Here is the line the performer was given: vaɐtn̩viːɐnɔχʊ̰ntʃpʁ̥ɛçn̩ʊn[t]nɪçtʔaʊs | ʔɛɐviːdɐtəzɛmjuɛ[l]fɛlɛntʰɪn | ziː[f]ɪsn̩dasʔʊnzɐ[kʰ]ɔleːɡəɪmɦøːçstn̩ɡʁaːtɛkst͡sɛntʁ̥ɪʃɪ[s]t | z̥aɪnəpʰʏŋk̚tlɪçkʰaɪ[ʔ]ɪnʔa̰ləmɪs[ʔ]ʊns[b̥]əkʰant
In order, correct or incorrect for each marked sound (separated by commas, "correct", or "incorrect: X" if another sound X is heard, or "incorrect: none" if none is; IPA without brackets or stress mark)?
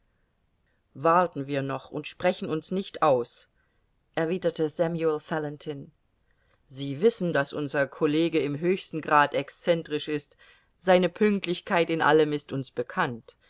incorrect: s, correct, incorrect: v, correct, correct, incorrect: t, incorrect: t, correct